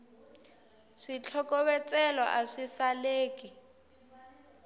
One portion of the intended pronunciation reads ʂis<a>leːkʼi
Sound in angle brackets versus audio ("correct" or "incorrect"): correct